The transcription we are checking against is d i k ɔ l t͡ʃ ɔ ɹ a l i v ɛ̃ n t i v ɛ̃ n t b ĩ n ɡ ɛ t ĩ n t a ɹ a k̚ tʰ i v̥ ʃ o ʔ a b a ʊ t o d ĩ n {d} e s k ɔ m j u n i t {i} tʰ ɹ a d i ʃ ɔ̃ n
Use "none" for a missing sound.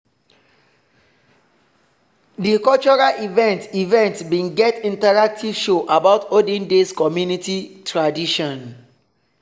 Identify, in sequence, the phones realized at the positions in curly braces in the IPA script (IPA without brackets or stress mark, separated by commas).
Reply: d, i